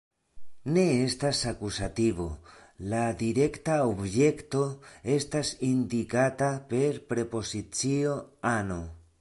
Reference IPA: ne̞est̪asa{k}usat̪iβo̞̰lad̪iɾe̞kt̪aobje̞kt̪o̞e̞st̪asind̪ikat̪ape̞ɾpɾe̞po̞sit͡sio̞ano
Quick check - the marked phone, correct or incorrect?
correct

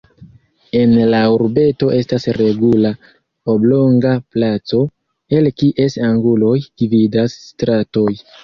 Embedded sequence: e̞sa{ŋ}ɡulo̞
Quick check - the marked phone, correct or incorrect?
correct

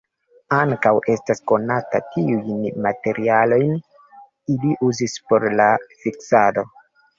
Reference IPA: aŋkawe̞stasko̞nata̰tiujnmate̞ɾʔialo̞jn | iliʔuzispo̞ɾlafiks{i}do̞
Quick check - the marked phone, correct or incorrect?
incorrect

